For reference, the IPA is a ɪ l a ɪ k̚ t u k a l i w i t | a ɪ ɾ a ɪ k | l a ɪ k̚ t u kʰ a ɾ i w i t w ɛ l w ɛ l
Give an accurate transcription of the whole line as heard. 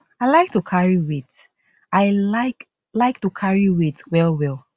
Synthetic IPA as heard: a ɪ l a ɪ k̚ t u kʰ a ɹ i w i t | a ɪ l a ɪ k | l a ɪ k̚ t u kʰ a ɹ i w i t w ɛ l w ɛ l